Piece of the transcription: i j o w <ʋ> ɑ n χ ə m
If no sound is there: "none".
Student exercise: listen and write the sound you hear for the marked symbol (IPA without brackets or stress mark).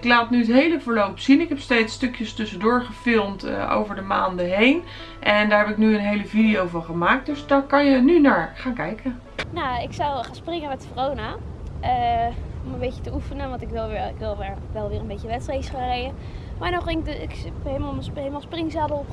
v